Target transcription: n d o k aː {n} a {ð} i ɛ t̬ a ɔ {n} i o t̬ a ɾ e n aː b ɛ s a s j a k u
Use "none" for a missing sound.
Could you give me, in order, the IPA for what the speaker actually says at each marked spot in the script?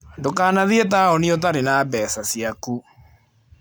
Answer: n, ð, n

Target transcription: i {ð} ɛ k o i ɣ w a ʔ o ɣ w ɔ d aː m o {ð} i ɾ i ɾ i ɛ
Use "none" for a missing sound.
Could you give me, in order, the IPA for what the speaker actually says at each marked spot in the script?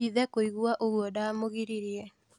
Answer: ð, ɣ

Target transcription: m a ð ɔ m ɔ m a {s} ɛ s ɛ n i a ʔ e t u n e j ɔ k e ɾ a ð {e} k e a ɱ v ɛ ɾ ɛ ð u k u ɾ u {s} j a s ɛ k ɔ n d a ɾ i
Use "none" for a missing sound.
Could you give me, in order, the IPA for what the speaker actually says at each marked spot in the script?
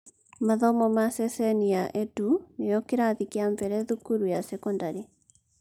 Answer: s, i, none

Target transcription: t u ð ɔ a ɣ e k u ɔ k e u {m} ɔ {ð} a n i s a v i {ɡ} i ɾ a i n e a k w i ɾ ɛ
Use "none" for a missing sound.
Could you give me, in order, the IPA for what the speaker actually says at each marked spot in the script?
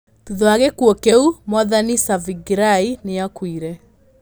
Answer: m, ð, ɡ

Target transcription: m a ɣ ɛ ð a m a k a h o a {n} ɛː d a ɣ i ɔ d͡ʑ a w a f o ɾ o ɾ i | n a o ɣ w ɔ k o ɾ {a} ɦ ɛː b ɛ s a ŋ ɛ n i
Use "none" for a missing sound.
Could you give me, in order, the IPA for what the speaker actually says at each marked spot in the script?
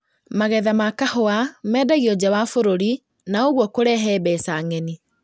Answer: m, ɛ

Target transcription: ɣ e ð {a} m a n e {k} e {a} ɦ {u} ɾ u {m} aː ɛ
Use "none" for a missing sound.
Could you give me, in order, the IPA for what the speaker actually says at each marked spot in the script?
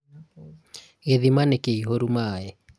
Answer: i, k, i, o, m

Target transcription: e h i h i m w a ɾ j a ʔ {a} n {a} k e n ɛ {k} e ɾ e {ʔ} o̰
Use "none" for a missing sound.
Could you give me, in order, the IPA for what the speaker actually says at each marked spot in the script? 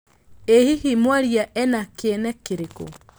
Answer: ɛ, a, k, k

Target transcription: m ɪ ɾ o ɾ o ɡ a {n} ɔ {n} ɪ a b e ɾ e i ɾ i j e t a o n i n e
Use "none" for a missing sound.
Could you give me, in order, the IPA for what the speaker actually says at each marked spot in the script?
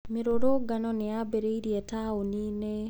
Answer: n, n

